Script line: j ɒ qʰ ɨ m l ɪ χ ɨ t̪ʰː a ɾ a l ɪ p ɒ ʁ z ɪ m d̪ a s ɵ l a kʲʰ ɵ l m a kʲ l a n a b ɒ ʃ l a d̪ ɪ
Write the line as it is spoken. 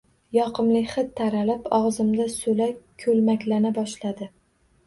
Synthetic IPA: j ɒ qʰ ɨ m l ɪ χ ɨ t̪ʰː a ɾ a l ɪ p ɒ ʁ z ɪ m d̪ a s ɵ l a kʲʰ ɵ l m a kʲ l a n a b ɒ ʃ l a d̪ ɪ

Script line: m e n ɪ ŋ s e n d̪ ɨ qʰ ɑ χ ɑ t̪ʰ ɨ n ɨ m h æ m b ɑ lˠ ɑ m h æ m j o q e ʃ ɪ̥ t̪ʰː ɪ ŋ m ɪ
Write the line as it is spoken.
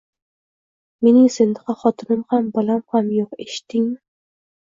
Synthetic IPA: m e n ɪ ŋ s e n d̪ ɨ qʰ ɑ χ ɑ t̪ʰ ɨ n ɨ m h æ m b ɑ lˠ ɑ m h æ m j o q e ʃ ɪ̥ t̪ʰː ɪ ŋ m ɪ

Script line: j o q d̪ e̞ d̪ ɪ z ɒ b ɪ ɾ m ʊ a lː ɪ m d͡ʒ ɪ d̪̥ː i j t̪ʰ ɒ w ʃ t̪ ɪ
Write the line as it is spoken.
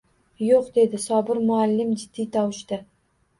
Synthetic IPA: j o q d̪ e̞ d̪ ɪ s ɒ b ɪ ɾ m ʊ a lː ɪ m d͡ʒ ɪ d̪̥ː i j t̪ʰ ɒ w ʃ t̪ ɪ

